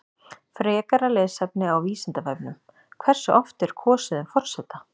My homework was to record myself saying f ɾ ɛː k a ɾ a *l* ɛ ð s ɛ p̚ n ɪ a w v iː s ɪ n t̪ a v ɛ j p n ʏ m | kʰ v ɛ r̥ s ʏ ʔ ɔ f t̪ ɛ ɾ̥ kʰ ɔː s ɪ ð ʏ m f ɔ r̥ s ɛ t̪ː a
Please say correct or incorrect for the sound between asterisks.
correct